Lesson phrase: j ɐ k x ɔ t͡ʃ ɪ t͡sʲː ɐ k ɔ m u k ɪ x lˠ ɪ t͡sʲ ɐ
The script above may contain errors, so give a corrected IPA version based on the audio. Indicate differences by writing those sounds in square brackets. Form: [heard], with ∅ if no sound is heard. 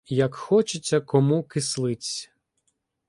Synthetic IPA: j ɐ k x ɔ t͡ʃ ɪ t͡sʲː ɐ k ɔ m u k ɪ [s] lˠ ɪ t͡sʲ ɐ